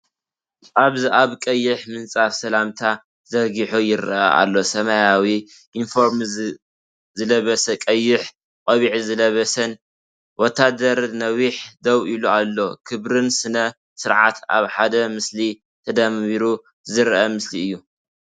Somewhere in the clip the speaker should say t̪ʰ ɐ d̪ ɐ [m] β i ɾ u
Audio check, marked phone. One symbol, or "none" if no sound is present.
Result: m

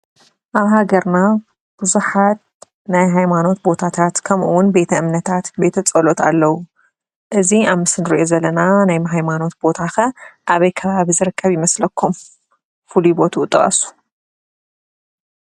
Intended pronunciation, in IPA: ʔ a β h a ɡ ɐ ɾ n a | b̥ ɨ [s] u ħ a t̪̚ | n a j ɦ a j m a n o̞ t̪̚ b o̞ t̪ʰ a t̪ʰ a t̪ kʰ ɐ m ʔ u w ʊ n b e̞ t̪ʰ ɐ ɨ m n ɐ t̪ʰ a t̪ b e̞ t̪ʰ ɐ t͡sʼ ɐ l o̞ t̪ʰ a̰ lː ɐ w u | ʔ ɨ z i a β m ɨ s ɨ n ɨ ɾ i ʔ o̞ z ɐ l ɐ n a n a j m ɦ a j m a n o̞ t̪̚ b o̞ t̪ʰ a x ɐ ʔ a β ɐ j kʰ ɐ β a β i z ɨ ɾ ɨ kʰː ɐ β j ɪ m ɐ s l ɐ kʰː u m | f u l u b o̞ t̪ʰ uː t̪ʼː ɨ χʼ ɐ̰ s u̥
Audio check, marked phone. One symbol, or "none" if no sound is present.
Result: z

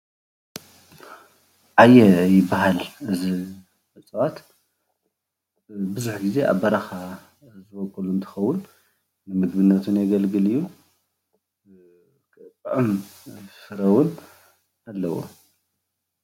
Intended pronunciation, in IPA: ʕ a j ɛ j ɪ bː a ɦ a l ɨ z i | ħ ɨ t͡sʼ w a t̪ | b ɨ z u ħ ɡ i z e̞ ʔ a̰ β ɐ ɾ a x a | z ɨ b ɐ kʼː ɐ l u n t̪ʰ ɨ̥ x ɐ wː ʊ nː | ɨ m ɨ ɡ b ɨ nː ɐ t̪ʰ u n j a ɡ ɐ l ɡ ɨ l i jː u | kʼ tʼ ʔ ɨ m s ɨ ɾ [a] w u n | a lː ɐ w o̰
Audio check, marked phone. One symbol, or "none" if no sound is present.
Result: ɐ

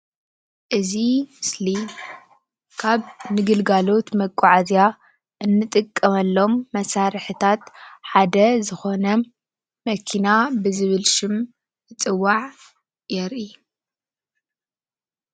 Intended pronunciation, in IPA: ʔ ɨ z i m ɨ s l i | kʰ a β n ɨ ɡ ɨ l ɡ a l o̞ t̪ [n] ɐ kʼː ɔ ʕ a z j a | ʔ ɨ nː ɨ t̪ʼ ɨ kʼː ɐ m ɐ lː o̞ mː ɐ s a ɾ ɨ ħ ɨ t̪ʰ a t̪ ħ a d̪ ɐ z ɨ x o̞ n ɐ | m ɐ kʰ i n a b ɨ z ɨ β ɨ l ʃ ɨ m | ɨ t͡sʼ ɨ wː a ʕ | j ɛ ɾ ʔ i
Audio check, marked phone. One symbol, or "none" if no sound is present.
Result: m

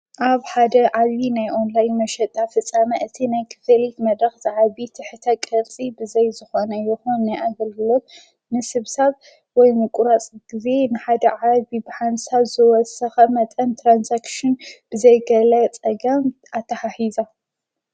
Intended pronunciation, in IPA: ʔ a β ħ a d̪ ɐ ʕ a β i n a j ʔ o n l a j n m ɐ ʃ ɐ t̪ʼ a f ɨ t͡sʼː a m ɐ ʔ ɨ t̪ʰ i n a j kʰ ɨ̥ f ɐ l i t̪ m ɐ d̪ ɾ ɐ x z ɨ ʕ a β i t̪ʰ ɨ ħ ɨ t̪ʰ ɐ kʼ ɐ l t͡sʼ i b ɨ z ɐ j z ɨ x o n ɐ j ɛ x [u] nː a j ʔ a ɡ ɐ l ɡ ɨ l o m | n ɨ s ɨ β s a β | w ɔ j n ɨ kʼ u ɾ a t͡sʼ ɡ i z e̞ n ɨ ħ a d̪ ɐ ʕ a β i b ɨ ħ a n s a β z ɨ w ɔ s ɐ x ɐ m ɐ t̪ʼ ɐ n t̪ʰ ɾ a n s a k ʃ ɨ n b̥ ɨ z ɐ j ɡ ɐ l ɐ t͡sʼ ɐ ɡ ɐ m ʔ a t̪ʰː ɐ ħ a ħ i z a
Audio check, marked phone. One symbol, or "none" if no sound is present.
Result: o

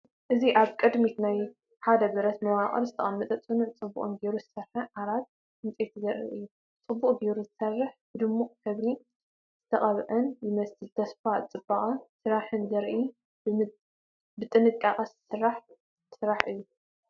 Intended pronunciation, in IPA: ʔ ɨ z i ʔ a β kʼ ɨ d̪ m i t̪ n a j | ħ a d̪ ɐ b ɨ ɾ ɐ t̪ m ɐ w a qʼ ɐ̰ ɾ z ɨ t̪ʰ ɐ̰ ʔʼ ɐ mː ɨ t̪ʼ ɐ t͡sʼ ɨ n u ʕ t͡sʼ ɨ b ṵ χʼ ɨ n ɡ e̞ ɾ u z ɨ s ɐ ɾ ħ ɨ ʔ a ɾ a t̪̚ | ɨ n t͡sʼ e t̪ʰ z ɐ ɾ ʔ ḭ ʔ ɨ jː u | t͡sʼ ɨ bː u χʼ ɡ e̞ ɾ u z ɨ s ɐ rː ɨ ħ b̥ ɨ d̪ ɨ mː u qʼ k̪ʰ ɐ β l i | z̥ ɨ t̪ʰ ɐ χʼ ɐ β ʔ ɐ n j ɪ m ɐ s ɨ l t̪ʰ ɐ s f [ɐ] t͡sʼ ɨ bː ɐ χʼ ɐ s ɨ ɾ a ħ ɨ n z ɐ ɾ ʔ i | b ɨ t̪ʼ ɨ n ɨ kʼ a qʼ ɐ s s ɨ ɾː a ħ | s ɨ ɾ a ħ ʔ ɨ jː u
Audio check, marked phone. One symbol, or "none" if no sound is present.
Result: a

